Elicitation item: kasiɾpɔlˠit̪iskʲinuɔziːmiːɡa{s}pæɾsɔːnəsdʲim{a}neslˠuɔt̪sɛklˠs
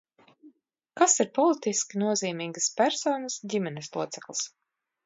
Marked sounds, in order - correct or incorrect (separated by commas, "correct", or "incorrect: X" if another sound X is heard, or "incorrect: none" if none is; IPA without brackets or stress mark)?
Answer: correct, incorrect: ɛ